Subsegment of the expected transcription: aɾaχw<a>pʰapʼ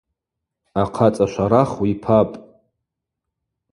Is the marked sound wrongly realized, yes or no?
yes